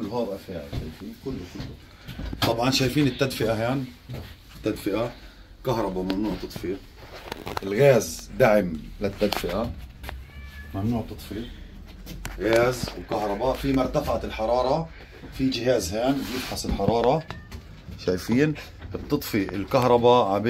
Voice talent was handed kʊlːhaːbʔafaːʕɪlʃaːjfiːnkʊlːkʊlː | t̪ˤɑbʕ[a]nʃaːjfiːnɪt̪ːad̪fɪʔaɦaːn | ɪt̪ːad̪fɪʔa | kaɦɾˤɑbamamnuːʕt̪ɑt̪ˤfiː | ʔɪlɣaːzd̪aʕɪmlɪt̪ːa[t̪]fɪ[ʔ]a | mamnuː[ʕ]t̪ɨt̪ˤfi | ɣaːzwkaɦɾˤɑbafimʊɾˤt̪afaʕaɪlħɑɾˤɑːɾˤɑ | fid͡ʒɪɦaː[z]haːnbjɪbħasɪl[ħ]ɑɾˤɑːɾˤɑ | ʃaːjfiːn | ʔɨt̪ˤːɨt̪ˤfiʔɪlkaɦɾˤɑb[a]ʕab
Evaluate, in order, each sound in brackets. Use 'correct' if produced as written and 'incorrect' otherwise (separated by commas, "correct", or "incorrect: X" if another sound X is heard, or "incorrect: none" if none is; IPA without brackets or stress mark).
incorrect: ɑ, incorrect: d̪, correct, correct, correct, correct, correct